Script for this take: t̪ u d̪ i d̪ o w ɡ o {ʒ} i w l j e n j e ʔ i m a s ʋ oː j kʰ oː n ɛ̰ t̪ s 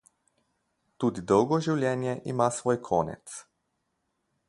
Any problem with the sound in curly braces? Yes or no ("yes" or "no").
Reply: no